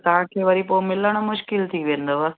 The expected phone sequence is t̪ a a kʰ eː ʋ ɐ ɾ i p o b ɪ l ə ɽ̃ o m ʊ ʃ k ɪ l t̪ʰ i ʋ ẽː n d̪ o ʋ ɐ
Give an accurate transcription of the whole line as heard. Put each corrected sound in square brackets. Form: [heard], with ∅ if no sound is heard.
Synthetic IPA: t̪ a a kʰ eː ʋ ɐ ɾ i p o [m] ɪ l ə ɽ̃ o m ʊ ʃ k ɪ l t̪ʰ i ʋ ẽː n d̪ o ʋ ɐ